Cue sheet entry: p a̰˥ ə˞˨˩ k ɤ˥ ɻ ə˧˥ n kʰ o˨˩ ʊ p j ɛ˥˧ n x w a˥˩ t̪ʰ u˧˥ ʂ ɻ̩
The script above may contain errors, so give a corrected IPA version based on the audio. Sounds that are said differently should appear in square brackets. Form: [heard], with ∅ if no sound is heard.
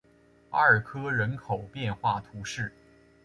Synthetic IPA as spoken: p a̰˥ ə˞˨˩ [kʰ] ɤ˥ ɻ ə˧˥ n kʰ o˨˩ ʊ p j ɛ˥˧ n x w a˥˩ t̪ʰ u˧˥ ʂ ɻ̩

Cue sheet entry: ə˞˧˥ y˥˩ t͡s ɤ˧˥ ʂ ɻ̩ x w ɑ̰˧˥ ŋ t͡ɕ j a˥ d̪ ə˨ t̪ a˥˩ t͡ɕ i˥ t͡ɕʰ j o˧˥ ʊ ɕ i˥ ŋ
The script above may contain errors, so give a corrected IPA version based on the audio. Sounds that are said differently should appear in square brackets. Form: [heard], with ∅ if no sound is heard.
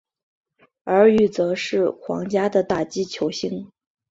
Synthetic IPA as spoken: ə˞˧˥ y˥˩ t͡s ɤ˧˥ ʂ ɻ̩ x w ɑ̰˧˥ ŋ t͡ɕ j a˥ d̪ ə˨ t̪ a˥˩ t͡ɕ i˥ t͡ɕʰ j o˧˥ ʊ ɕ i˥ ŋ

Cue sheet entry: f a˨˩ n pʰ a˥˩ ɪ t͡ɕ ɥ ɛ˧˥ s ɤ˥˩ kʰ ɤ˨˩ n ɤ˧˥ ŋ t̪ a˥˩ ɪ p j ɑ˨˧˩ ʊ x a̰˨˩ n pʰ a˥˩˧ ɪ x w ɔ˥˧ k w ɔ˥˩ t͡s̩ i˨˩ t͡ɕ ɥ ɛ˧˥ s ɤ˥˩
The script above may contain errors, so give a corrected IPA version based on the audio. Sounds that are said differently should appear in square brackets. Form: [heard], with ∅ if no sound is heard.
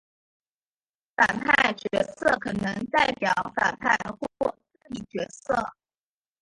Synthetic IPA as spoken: f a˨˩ n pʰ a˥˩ ɪ t͡ɕ ɥ ɛ˧˥ s ɤ˥˩ kʰ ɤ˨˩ n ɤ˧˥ ŋ t̪ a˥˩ ɪ p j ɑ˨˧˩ ʊ [f] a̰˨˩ n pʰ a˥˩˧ ɪ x w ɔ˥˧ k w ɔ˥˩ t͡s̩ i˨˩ t͡ɕ ɥ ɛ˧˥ s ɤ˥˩

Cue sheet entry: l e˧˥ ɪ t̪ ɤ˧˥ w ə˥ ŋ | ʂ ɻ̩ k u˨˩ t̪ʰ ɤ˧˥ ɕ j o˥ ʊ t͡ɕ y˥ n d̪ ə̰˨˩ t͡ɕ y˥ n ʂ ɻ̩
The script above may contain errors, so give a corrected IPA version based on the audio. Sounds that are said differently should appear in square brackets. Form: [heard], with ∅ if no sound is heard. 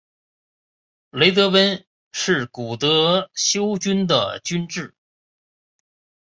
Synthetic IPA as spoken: l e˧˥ ɪ t̪ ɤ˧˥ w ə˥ [n] | ʂ ɻ̩ k u˨˩ [t̪] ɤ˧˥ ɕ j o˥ ʊ t͡ɕ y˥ n d̪ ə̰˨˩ t͡ɕ y˥ n [ʈ͡ʂ] ɻ̩

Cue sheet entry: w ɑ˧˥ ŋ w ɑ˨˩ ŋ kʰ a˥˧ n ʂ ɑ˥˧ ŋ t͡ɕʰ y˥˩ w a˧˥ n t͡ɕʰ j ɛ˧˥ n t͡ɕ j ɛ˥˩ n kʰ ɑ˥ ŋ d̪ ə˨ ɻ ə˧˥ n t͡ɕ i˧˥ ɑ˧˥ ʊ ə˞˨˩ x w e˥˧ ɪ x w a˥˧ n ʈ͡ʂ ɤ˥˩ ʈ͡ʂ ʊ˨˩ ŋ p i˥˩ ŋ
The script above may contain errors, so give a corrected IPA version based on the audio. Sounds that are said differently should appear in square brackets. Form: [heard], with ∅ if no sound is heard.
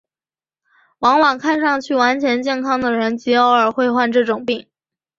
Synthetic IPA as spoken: w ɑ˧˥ ŋ w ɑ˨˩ ŋ kʰ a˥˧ n ʂ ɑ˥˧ ŋ t͡ɕʰ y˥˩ w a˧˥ n t͡ɕʰ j ɛ˧˥ n t͡ɕ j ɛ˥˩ n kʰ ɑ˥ ŋ d̪ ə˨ ɻ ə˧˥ n t͡ɕ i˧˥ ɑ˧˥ ʊ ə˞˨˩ x w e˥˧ ɪ x w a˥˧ n ʈ͡ʂ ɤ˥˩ ʈ͡ʂ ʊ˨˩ ŋ p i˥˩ ŋ

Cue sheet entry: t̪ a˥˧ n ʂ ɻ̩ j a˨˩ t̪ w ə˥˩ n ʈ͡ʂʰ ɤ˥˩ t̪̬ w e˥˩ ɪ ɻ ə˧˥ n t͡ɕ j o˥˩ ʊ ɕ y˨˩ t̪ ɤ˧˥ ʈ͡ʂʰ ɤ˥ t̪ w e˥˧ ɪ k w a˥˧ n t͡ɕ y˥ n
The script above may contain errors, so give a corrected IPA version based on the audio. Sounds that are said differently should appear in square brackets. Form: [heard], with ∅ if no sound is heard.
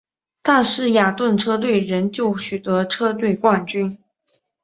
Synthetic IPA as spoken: t̪ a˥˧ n ʂ ɻ̩ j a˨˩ t̪ w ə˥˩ n ʈ͡ʂʰ [ɤ˥] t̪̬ w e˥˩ ɪ ɻ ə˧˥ n t͡ɕ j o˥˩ ʊ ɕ y˨˩ t̪ ɤ˧˥ ʈ͡ʂʰ ɤ˥ t̪ w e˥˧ ɪ k w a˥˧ n t͡ɕ y˥ n

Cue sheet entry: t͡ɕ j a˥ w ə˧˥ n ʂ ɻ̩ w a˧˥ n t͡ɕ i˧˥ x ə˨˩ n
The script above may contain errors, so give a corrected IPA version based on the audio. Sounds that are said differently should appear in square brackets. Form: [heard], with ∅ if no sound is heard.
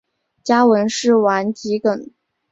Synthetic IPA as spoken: t͡ɕ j a˥ w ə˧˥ n ʂ ɻ̩ w a˧˥ n t͡ɕ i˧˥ [k] ə˨˩ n

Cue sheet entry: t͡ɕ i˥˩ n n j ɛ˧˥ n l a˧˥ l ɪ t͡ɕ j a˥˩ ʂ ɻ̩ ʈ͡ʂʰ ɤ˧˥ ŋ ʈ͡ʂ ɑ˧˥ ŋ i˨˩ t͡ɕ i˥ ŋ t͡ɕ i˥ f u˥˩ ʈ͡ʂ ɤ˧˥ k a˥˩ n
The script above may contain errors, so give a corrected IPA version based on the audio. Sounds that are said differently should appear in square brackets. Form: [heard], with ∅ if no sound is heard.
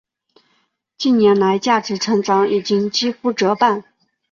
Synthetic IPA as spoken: t͡ɕ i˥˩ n n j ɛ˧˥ n l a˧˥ [∅] ɪ t͡ɕ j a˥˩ [ʈ͡ʂ] ɻ̩ ʈ͡ʂʰ ɤ˧˥ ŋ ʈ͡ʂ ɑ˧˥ ŋ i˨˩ t͡ɕ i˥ ŋ t͡ɕ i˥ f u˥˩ ʈ͡ʂ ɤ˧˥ [p] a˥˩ n

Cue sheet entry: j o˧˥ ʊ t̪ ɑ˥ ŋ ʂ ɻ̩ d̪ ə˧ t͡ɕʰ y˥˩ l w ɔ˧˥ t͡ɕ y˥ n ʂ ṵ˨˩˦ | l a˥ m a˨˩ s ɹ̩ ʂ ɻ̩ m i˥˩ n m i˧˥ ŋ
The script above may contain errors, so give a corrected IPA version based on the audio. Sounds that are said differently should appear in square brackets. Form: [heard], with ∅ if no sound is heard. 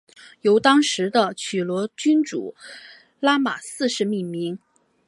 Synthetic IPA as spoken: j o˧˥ ʊ t̪ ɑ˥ ŋ ʂ ɻ̩ d̪ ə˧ t͡ɕʰ [y˨˩] l w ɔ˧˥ t͡ɕ y˥ n [ʈ͡ʂ] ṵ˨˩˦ | l a˥ m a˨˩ s ɹ̩ ʂ ɻ̩ m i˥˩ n m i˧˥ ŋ

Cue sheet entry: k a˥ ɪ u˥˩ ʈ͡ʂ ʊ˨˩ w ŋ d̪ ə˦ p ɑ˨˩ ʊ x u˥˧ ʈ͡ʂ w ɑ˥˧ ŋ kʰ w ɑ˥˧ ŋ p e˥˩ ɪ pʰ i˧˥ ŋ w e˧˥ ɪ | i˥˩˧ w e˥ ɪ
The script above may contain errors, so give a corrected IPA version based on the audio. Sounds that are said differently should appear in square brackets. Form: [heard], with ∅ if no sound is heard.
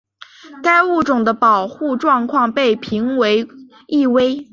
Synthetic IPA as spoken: k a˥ ɪ u˥˩ ʈ͡ʂ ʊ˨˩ [∅] ŋ d̪ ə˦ p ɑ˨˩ ʊ x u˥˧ ʈ͡ʂ w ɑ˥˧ ŋ kʰ w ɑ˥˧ ŋ p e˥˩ ɪ pʰ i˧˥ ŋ w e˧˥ ɪ | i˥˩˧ w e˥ ɪ

